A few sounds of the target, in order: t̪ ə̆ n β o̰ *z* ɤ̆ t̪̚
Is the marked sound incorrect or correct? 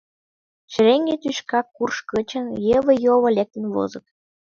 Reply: correct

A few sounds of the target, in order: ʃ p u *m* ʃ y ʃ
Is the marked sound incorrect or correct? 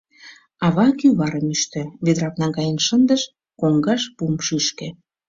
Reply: correct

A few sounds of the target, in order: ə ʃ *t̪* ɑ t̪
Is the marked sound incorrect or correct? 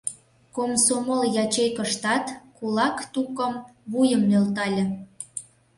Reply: correct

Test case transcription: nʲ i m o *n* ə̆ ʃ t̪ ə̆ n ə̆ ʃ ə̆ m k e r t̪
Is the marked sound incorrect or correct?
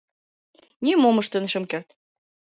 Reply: incorrect: m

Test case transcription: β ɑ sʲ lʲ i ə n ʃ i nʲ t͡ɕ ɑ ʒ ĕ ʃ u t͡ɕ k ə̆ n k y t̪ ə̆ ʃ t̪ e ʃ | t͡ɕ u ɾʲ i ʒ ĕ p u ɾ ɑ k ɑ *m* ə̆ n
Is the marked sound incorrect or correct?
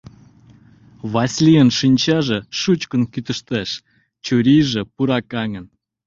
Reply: incorrect: ŋ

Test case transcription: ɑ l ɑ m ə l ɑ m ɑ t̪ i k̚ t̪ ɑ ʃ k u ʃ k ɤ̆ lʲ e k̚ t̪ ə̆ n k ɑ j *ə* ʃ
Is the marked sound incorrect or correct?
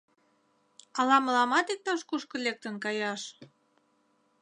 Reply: incorrect: ɑ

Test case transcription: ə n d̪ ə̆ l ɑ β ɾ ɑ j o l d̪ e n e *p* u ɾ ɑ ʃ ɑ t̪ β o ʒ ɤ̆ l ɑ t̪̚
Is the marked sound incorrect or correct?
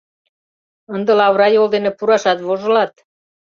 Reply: correct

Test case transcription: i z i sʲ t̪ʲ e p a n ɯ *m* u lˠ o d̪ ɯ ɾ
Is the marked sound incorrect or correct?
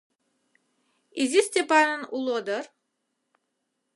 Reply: incorrect: n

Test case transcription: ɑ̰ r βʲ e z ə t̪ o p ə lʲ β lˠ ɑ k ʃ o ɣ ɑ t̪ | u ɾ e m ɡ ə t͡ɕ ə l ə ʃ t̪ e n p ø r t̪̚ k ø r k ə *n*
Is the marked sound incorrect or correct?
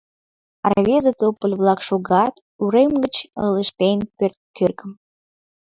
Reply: incorrect: m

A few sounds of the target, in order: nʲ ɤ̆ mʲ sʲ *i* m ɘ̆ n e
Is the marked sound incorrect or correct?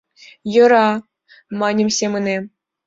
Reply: incorrect: e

